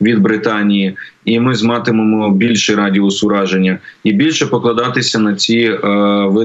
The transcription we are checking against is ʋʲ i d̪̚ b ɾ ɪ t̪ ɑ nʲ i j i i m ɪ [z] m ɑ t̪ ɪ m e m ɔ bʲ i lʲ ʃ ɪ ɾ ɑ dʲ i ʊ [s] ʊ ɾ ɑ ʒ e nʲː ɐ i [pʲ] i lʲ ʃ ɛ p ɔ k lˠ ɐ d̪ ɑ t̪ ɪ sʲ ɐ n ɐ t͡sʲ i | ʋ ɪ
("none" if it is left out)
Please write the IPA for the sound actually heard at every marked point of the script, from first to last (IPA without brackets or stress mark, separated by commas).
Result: z, s, bʲ